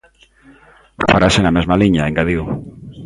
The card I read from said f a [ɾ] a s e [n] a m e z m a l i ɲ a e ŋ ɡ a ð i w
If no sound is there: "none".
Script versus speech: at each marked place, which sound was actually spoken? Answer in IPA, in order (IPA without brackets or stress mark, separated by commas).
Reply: ɾ, n